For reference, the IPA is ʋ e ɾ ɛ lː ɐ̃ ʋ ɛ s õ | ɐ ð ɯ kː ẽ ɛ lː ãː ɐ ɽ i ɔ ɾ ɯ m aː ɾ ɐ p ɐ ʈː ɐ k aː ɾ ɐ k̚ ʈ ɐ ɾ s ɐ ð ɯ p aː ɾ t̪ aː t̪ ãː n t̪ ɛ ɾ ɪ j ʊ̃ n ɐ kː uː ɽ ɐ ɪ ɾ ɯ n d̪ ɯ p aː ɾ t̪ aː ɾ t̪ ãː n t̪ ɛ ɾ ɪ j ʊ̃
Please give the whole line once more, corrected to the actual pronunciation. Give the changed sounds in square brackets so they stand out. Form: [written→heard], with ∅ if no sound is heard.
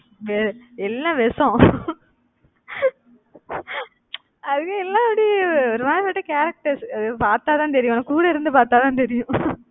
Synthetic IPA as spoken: ʋ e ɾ ɛ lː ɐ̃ ʋ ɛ s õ | ɐ ð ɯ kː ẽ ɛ lː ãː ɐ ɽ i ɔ ɾ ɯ m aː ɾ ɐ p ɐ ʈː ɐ k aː ɾ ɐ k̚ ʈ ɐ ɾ s ɐ ð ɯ p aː ɾ t̪ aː t̪ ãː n t̪ ɛ ɾ ɪ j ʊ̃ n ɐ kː uː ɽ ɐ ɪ ɾ ɯ n d̪ ɯ p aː ɾ t̪ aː [ɾ→∅] t̪ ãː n t̪ ɛ ɾ ɪ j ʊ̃